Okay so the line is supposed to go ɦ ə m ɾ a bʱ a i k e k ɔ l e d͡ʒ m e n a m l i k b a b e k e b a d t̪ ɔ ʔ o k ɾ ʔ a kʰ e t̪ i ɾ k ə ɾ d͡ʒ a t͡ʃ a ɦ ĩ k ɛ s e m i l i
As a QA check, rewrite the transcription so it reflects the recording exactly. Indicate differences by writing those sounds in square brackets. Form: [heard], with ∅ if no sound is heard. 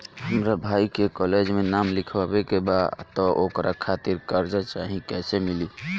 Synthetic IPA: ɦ ə m ɾ a bʱ a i k e k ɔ l e d͡ʒ m e n a m l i [kʰ] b a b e k e b a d t̪ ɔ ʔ o k ɾ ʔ a kʰ [a] t̪ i ɾ k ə ɾ d͡ʒ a t͡ʃ a ɦ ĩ k ɛ s e m i l i